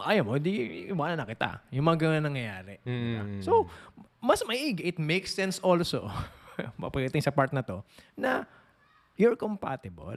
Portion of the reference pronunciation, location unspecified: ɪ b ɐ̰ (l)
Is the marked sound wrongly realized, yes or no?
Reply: no